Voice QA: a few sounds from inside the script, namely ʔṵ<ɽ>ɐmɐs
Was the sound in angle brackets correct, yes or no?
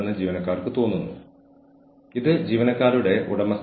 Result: yes